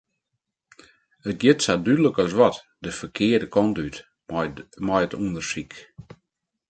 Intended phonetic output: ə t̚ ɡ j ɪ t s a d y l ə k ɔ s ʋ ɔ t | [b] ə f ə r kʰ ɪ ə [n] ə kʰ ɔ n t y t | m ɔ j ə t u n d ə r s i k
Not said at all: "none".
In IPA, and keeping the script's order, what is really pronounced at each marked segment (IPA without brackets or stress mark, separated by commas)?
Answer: d, d